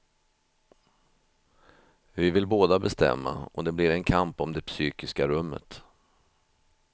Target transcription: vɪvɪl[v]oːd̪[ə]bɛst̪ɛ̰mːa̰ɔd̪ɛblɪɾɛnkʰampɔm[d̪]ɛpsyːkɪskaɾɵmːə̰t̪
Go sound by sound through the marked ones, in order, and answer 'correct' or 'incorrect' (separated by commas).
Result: incorrect, incorrect, correct